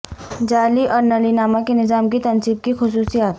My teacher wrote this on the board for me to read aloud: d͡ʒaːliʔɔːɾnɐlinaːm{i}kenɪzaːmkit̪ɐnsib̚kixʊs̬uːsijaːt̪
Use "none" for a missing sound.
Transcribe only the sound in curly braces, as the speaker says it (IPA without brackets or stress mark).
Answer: a